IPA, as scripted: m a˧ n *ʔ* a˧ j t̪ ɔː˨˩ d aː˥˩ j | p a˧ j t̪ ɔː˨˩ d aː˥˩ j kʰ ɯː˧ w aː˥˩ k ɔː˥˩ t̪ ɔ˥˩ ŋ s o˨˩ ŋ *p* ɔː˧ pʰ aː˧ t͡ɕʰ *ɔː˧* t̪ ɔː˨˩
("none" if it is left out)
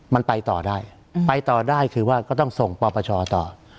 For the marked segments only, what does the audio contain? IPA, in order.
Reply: p, p, ɔː˧

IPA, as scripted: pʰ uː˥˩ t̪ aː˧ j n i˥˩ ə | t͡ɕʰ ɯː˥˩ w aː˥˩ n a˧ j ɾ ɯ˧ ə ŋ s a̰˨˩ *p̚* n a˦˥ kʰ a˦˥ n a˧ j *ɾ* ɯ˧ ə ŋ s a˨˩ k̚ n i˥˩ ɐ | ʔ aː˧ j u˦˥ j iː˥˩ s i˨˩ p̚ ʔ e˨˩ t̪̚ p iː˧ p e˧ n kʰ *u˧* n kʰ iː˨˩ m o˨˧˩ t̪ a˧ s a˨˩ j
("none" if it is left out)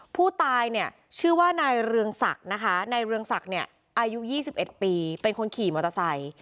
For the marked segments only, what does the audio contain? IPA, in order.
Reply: k̚, ɾ, o˧

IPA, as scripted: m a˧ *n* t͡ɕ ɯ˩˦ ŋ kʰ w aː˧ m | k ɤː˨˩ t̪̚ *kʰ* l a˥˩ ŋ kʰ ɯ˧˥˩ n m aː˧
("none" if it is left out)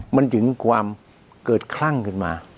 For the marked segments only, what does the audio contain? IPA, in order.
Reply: n, kʰ

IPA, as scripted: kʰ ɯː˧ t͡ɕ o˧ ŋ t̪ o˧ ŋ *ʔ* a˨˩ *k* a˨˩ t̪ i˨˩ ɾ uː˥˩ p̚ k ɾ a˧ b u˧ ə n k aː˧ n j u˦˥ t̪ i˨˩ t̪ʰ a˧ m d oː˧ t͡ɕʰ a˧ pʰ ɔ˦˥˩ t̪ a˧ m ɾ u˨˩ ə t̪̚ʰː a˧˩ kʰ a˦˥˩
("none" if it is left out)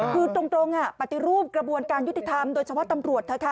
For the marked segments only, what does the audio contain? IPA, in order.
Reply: ʔ, p

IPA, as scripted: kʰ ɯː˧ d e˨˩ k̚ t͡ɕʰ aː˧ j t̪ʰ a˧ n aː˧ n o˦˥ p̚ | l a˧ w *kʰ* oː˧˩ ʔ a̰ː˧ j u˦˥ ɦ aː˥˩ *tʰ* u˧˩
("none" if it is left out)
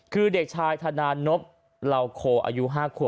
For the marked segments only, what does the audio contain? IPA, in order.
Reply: kʰ, kʰ

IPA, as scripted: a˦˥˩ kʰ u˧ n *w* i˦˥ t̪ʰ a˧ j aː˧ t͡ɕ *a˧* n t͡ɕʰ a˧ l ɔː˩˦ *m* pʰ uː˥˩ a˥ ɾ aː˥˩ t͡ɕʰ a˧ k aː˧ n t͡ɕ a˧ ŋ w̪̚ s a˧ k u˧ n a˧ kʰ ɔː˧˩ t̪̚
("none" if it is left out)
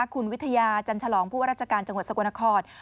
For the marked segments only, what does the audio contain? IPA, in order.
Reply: w, a˧, ŋ

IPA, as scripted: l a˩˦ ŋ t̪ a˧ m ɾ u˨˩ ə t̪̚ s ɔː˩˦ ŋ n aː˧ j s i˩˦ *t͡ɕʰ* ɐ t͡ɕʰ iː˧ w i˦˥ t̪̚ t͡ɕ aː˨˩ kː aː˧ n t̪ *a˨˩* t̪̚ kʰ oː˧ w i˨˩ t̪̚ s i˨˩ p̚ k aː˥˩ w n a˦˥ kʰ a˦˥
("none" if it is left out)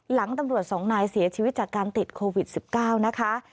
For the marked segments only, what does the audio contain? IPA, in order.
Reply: none, i˨˩

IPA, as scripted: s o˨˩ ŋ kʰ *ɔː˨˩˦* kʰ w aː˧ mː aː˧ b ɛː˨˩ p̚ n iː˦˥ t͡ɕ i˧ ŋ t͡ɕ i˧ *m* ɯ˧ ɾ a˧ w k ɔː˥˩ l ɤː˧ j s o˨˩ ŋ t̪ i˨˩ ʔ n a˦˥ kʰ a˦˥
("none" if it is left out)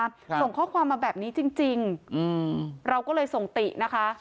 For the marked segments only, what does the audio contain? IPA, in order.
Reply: ɔː˥˩, ŋ

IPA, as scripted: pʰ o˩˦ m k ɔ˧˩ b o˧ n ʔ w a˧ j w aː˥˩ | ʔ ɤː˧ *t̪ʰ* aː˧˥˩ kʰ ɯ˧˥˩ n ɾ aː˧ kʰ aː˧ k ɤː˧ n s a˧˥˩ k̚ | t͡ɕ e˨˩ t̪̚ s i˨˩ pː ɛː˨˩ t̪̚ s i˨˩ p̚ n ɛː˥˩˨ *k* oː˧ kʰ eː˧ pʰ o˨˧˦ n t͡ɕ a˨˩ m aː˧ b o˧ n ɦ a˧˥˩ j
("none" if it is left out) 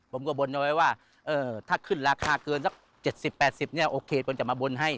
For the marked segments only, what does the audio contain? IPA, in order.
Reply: t̪ʰ, ʔ

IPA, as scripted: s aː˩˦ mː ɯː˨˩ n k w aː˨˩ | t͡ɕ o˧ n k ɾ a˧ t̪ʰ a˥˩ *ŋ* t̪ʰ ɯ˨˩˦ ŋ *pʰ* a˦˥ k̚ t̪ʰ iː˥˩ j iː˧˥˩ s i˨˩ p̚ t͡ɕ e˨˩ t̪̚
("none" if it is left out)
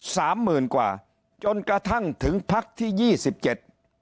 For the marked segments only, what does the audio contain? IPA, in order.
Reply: ŋ, pʰ

